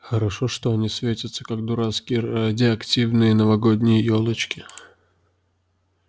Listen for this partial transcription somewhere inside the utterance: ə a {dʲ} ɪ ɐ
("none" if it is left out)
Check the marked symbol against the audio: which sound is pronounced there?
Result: dʲ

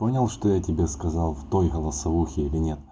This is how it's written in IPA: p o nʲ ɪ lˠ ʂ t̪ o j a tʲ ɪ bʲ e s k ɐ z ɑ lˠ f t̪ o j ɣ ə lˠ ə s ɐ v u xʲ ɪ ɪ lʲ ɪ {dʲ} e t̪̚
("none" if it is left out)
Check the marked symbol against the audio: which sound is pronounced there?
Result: nʲ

